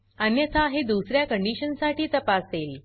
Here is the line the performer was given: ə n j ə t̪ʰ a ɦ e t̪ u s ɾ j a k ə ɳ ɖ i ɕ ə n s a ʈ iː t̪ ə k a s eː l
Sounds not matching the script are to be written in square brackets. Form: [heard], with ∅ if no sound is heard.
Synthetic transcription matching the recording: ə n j ə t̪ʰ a ɦ e [d̪] u s ɾ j a k ə ɳ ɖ i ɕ ə n s a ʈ iː t̪ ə [p] a s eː l

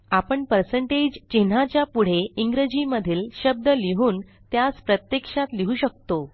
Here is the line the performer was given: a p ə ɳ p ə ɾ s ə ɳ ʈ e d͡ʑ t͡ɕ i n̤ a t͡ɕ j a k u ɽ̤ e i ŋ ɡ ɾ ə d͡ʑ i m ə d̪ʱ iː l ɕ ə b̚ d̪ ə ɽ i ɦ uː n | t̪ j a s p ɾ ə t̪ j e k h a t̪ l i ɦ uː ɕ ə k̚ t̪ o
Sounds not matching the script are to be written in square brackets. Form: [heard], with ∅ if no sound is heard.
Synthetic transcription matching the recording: a p ə ɳ p ə ɾ s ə ɳ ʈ e d͡ʑ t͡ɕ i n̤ a t͡ɕ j a [p] u ɽ̤ e i ŋ ɡ ɾ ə d͡ʑ i m ə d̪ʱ iː l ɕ ə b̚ d̪ ə [l] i ɦ uː n | t̪ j a s p ɾ ə t̪ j e k [ʂ] a t̪ l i ɦ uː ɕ ə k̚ t̪ o

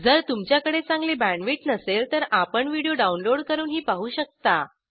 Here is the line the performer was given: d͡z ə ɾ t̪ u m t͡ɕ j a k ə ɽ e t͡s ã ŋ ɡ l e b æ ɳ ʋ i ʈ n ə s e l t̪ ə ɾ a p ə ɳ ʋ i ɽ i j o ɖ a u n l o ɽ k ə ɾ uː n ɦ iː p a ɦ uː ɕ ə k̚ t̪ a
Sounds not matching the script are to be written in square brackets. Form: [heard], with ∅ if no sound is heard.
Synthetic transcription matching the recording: d͡z ə ɾ t̪ u m t͡ɕ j a k ə ɽ e t͡s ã ŋ ɡ l e b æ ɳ ʋ i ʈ n ə s e l t̪ ə ɾ a p ə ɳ ʋ i ɽ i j o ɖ a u n l o ɽ k ə ɾ uː n ɦ iː p a ɦ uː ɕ ə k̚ t̪ a

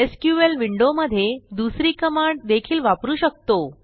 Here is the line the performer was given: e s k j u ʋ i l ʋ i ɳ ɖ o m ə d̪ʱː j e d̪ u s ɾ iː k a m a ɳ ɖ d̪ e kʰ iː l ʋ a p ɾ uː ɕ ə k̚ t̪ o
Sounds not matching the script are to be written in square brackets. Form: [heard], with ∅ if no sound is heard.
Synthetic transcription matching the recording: e s k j u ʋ [e] l ʋ i ɳ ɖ o m ə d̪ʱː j e d̪ u s ɾ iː k [ə] m a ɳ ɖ d̪ e kʰ iː l ʋ a p ɾ uː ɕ ə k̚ t̪ o

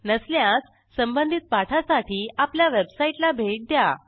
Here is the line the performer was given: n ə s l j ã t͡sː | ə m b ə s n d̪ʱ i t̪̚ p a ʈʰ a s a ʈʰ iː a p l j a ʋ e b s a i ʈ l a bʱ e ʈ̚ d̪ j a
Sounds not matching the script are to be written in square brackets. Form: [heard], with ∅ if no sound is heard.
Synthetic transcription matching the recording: n ə s l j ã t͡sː | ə m b ə [∅] n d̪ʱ i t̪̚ p a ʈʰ a s a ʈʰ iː a p l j a ʋ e b s a i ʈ l a bʱ e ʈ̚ d̪ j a

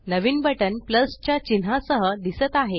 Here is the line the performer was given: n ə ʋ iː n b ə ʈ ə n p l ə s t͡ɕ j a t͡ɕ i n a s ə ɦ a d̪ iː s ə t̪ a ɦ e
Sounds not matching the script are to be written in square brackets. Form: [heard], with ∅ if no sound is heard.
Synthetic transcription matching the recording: n ə ʋ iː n b ə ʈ ə n p l ə s t͡ɕ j a t͡ɕ i n a s ə ɦ [ə] d̪ [i] s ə t̪ a ɦ e

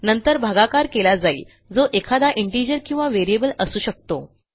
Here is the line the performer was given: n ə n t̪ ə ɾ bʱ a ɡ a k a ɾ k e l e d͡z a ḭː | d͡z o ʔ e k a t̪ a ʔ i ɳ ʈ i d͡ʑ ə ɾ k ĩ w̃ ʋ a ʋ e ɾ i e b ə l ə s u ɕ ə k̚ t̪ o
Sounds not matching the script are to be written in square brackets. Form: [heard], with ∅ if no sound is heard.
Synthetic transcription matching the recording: n ə n t̪ ə ɾ bʱ a ɡ a k a ɾ k e l [a] d͡z a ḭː | d͡z o ʔ e [kʰ] a [d̪] a ʔ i ɳ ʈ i d͡ʑ ə ɾ k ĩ w̃ ʋ a ʋ e ɾ i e b ə l ə s [uː] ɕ ə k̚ t̪ o

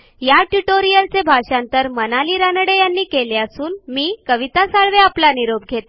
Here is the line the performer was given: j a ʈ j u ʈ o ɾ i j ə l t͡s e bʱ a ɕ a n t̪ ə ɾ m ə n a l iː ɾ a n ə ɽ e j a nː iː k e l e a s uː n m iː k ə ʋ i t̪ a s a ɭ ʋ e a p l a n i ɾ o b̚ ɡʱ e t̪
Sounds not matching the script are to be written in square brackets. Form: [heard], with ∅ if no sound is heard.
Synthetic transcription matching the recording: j a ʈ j u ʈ o ɾ i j ə l t͡s e bʱ a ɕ a n t̪ ə ɾ m ə n a l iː ɾ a n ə ɽ e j a nː iː k e l e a s uː n m iː k ə ʋ i t̪ a s a ɭ ʋ e a p l a n i ɾ o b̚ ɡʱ e t̪

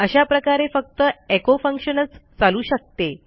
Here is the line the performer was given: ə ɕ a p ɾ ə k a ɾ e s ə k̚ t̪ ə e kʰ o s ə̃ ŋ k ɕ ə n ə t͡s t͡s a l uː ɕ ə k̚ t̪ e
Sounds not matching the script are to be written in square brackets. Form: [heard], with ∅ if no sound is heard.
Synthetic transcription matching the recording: ə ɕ a p ɾ ə k a ɾ e [f] ə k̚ t̪ ə e [k] o [f] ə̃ ŋ k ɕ ə n ə t͡s t͡s a l uː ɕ ə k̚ t̪ e

